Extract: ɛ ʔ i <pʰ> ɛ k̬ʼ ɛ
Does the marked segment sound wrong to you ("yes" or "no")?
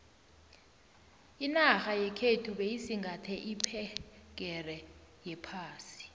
no